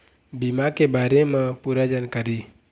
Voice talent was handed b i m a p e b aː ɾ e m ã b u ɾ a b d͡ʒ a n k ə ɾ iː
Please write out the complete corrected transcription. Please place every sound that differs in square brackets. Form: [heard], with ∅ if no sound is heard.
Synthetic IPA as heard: b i m a [k] e b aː ɾ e m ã [p] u ɾ a [∅] d͡ʒ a n k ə ɾ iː